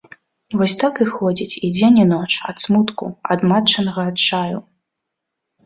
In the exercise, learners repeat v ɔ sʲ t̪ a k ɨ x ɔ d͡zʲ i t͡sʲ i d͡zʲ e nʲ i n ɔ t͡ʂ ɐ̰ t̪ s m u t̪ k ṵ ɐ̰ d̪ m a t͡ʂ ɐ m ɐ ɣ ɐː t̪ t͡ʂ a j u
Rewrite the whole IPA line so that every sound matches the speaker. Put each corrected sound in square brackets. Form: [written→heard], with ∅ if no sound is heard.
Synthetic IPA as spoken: v ɔ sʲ t̪ a k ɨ x ɔ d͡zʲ i t͡sʲ i d͡zʲ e nʲ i n ɔ t͡ʂ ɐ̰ t̪ s m u t̪ k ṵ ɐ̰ d̪ m a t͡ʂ ɐ [m→n] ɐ ɣ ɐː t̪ t͡ʂ a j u